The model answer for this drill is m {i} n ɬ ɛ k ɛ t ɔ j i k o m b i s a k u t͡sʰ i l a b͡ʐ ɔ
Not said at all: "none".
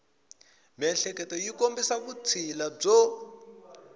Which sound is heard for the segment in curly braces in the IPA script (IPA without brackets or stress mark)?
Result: ɛ